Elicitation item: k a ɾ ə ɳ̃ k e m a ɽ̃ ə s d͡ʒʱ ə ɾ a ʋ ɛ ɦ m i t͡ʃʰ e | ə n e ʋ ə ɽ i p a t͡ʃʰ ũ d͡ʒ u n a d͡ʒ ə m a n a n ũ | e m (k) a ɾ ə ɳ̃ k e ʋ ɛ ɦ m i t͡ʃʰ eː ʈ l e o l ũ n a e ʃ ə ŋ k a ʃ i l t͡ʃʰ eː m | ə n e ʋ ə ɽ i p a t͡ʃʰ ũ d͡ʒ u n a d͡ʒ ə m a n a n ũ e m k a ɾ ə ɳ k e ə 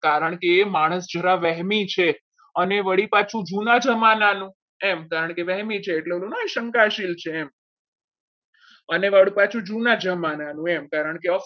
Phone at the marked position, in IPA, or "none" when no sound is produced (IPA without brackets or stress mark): k